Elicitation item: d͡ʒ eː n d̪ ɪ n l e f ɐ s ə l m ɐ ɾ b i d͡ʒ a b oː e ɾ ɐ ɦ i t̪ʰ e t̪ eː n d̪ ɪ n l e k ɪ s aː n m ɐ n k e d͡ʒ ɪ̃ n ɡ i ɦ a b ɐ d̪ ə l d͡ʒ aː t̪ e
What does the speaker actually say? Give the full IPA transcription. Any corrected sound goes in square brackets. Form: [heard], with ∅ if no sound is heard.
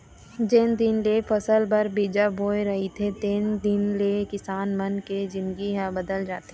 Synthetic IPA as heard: d͡ʒ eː n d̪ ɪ n l e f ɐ s ə l [b] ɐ ɾ b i d͡ʒ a b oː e ɾ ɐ ɦ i t̪ʰ e t̪ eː n d̪ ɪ n l e k ɪ s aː n m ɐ n k e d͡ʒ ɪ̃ n ɡ i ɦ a b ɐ d̪ ə l d͡ʒ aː t̪ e